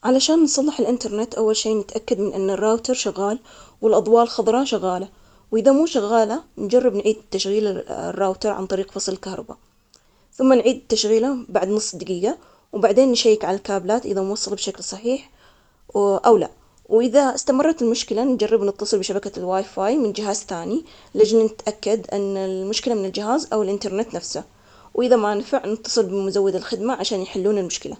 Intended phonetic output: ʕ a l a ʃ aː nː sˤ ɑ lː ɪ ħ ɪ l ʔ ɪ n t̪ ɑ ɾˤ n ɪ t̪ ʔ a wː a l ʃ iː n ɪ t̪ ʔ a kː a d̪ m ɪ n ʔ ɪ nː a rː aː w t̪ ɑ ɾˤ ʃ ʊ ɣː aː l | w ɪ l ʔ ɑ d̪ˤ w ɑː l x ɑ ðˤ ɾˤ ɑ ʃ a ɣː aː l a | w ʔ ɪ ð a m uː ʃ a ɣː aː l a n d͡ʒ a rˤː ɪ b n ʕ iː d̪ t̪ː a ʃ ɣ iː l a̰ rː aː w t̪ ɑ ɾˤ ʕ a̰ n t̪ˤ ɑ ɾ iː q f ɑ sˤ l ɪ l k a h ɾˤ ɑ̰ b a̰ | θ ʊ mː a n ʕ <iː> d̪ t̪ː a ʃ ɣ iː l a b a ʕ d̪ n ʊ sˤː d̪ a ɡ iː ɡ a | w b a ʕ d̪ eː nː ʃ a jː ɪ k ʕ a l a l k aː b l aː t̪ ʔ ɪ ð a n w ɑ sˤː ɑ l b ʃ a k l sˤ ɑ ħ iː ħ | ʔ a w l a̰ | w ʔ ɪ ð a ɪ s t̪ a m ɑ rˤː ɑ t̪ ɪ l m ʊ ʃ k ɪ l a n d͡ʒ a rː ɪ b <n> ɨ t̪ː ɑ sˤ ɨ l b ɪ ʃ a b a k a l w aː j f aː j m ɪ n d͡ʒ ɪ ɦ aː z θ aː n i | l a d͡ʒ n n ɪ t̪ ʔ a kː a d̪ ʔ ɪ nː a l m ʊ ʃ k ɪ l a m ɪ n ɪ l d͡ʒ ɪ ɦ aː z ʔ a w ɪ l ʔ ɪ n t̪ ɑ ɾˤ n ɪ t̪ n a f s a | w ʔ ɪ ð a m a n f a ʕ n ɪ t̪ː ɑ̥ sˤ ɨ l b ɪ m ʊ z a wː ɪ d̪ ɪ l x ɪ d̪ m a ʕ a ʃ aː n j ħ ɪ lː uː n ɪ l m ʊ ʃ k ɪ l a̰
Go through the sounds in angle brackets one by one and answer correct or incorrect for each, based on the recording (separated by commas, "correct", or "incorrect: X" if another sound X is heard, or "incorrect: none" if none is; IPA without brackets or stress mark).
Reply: correct, correct